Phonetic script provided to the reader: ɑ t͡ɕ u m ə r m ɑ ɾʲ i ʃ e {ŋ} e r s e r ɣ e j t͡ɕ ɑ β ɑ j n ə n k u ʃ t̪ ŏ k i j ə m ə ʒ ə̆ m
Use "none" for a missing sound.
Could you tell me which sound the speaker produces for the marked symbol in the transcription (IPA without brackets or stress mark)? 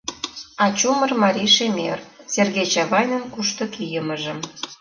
m